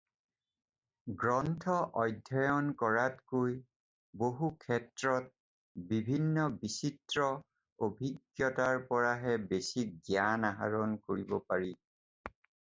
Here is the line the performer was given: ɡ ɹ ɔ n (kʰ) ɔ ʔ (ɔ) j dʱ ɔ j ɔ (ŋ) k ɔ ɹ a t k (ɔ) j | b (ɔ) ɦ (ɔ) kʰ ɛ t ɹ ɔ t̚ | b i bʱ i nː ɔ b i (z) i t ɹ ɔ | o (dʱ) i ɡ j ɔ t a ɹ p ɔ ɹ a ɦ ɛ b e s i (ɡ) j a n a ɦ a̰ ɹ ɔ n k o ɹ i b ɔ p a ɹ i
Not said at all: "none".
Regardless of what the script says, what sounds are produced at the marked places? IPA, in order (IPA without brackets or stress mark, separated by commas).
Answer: tʰ, ɔ, n, o, o, u, s, bʱ, ɡ